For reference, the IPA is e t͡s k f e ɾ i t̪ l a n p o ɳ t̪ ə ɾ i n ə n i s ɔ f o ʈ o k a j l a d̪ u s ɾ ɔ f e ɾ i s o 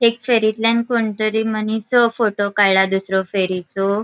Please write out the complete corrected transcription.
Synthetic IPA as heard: e k f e ɾ i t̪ l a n k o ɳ t̪ ə ɾ i m ə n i s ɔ f o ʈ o k a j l a d̪ u s ɾ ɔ f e ɾ i t͡s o